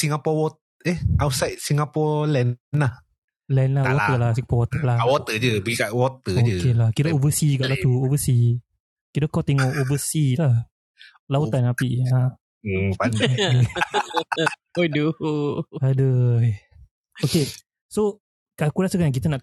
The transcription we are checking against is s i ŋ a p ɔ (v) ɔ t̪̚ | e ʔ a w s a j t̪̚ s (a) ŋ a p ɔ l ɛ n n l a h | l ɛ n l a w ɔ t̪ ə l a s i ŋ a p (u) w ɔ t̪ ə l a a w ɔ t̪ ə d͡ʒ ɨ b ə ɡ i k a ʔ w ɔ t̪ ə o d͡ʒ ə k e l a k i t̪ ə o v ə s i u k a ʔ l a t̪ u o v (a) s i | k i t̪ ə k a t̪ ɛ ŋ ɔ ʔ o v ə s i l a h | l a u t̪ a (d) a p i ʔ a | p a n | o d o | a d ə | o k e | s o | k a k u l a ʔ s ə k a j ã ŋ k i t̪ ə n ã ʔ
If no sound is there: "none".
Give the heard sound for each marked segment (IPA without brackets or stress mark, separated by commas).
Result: w, i, ɔ, ə, n